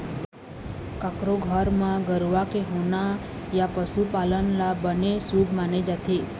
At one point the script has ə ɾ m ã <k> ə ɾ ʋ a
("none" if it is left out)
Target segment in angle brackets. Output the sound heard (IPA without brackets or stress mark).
ɡ